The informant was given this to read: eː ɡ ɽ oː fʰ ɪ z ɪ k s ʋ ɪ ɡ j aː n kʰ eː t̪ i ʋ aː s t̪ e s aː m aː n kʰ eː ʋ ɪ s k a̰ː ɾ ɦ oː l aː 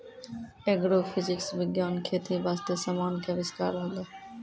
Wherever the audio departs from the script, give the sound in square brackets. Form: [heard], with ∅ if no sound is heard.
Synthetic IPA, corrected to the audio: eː ɡ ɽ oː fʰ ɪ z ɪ k s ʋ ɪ ɡ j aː n kʰ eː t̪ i ʋ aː s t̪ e s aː m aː n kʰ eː ʋ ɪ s k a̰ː ɾ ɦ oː l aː